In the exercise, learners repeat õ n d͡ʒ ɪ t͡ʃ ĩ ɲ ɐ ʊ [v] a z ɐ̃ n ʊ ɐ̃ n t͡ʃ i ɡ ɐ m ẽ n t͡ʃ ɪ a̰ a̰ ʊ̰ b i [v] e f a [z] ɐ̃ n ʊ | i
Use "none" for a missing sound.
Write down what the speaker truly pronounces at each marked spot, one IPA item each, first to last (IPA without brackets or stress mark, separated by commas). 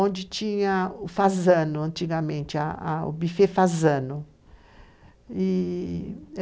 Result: f, f, z